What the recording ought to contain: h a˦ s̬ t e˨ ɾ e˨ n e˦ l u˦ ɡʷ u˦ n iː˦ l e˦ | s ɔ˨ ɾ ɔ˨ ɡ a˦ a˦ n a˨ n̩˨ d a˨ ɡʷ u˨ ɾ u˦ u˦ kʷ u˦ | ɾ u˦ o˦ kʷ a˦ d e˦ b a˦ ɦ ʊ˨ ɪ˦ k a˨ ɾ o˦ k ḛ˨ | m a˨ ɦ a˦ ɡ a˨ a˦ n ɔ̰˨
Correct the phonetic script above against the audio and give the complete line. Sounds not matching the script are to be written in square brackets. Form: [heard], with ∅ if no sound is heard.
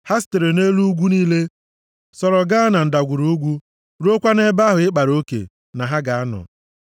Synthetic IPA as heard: h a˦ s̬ t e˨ ɾ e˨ n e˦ l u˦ ɡʷ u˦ n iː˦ l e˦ | s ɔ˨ ɾ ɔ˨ ɡ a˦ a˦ n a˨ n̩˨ d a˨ ɡʷ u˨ ɾ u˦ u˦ [ɡʷ] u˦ | ɾ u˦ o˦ kʷ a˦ [n] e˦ b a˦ ɦ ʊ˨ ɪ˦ [k͡p] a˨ ɾ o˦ k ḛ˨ | [n] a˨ ɦ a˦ ɡ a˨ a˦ n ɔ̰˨